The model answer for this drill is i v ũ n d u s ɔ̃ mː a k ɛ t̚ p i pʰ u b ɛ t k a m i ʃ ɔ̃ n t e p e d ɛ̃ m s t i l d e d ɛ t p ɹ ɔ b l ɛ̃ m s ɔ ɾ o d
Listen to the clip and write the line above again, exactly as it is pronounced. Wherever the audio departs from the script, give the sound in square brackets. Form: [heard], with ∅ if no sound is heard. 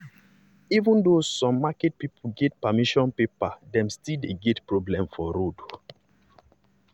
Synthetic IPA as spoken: i v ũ n d [o] s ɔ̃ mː a k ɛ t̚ p i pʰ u [ɡ] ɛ t [p] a m i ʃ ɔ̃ n [p] e p [a] d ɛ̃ m s t i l d e [ɡ] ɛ t p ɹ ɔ b l ɛ̃ m [f] ɔ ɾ o d